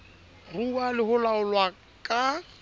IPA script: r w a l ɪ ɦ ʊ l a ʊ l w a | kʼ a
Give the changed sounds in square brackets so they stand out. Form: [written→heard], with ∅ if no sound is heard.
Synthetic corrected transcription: r [w→u] a l ɪ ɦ ʊ l a ʊ l w a | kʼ a